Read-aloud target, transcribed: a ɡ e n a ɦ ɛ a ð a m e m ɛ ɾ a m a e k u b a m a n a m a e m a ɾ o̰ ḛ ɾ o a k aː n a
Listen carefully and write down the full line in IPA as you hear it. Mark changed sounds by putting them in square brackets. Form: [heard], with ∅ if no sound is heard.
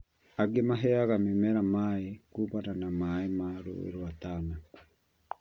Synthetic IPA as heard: a ɡ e [m] a ɦ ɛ a [ɣ] a m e m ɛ ɾ a m a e k u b a [n] a n a m a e m a ɾ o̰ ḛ ɾ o a [t] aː n a